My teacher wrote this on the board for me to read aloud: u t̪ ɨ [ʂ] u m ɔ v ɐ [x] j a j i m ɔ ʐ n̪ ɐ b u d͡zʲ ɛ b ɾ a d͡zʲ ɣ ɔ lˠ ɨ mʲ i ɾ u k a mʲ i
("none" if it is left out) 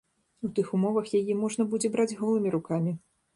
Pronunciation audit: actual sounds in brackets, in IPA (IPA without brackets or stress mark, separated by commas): x, x